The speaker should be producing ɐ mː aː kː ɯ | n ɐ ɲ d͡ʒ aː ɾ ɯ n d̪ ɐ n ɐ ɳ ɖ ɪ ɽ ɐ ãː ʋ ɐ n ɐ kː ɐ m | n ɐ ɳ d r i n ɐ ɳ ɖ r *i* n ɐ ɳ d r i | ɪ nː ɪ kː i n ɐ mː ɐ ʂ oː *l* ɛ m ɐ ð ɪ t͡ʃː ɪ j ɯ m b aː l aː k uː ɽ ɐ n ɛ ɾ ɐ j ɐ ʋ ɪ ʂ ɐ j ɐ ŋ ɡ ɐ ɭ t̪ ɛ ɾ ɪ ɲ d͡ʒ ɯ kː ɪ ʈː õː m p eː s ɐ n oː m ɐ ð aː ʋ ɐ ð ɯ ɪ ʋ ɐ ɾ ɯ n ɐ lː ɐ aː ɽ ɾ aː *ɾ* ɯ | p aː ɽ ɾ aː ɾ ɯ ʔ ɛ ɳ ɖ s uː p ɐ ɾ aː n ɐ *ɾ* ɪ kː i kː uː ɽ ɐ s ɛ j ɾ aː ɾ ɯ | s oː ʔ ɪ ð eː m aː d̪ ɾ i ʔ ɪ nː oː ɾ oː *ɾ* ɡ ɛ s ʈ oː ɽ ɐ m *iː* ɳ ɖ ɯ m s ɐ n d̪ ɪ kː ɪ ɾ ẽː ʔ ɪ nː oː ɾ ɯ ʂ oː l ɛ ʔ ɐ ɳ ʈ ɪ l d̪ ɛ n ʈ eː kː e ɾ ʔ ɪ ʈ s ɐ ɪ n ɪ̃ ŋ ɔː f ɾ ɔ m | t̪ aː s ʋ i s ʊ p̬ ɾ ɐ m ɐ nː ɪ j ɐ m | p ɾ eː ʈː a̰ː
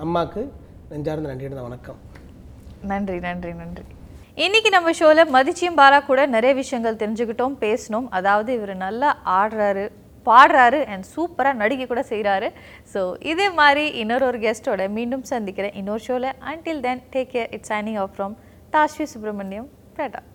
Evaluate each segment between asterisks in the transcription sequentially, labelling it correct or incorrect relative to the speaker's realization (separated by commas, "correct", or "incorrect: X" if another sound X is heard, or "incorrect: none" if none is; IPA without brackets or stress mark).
correct, correct, correct, incorrect: ɽ, correct, correct